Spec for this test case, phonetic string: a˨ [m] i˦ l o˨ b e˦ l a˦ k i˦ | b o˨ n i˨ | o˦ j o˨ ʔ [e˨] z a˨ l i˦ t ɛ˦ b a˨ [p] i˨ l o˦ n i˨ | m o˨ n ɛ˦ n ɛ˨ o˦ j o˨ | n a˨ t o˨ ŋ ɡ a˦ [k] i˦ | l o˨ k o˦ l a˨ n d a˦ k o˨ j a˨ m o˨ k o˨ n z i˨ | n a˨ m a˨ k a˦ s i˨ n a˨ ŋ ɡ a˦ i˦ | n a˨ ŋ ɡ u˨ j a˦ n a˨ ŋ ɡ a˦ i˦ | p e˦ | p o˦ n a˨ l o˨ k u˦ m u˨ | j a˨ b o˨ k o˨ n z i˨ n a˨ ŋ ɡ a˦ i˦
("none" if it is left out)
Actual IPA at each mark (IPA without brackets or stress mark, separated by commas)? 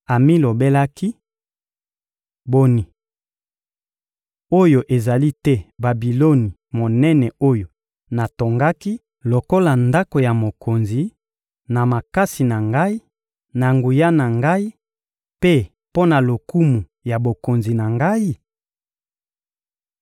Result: m, e˨, b, k